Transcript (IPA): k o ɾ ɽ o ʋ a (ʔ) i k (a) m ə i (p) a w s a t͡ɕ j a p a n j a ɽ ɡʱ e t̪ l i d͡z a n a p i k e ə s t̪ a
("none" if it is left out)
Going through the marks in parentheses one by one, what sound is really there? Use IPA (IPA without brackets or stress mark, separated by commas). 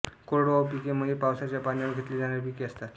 p, e, p